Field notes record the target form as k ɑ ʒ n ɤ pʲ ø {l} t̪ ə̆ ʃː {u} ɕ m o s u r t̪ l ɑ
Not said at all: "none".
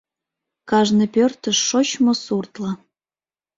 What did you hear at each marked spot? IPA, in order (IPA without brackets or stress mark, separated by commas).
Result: r, o